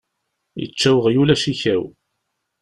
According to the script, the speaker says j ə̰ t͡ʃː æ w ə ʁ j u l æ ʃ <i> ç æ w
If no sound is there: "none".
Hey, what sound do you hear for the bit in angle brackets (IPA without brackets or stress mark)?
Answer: i